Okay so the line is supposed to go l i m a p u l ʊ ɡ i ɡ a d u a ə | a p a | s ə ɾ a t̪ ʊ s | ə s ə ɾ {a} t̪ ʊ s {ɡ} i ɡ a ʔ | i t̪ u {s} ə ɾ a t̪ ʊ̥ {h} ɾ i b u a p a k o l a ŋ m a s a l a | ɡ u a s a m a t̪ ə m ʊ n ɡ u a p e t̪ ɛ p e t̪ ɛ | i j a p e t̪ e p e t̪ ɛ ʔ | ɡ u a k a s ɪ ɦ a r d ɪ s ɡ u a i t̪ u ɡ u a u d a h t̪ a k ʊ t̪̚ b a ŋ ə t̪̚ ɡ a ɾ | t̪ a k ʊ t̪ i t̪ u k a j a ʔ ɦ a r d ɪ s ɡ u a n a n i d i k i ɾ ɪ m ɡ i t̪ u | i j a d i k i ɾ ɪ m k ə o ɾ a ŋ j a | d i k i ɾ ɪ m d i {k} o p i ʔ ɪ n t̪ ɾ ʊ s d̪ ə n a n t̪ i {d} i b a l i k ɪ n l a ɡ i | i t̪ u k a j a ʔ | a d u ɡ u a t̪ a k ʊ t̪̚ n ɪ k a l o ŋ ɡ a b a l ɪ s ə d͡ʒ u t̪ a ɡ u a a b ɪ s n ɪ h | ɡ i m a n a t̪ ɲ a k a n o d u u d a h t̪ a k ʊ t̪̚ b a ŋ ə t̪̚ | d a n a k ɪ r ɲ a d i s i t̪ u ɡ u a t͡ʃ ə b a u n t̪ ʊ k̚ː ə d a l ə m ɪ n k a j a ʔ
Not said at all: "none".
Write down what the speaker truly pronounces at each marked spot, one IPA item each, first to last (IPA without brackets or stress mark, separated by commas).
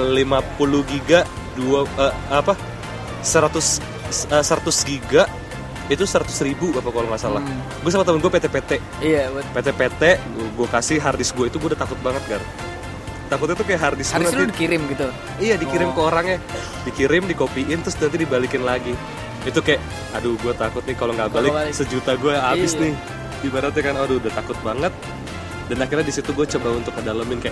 a, ɡ, s, s, k, d